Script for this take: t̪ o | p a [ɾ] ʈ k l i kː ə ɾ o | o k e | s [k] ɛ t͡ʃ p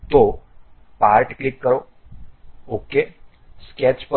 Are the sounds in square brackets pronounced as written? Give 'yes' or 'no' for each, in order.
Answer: yes, yes

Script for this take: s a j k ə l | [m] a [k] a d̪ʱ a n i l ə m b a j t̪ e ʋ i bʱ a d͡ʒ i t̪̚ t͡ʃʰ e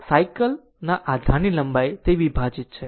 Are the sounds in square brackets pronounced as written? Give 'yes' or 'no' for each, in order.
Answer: no, no

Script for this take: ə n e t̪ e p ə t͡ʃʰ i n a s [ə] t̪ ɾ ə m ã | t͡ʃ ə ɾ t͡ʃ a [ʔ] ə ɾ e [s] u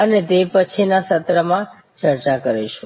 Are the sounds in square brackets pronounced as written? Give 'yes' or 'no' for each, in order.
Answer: yes, no, no

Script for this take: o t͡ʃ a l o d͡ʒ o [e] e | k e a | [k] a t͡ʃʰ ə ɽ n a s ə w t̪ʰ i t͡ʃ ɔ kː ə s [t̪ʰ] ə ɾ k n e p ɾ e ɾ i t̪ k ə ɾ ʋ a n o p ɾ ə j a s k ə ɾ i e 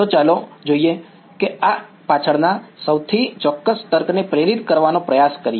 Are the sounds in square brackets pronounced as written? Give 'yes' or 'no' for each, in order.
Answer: no, no, no

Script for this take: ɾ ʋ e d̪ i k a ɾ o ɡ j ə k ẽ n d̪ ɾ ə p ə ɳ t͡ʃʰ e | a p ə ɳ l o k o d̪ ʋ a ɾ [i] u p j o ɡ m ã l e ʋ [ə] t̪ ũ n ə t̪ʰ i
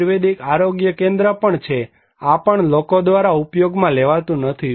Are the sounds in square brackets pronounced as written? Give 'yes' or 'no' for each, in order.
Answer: no, no

